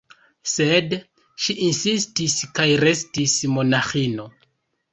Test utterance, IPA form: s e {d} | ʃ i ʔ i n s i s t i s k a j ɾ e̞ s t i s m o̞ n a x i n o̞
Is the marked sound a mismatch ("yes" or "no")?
no